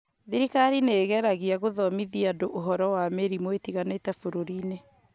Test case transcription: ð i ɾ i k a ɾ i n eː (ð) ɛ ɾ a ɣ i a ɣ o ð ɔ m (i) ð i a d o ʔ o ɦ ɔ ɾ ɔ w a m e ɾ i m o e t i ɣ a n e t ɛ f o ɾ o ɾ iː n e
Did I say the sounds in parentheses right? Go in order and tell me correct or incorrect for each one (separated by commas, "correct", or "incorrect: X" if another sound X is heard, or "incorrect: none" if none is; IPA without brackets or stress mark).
incorrect: ɣ, correct